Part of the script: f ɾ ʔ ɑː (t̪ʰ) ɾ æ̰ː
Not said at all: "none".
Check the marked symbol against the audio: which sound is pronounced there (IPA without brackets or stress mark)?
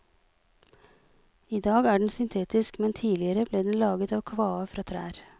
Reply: t̪ʰ